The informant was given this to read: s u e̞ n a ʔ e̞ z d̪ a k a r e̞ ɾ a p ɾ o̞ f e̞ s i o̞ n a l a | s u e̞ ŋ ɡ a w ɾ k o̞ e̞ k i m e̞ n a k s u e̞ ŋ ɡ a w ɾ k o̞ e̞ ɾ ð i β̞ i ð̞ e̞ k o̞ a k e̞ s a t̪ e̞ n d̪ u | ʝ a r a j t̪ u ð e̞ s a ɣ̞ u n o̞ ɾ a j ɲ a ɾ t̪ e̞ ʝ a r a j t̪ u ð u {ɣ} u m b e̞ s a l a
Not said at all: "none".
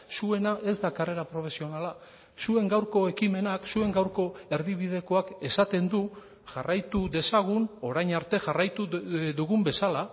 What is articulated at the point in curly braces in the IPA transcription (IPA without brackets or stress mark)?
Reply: ɣ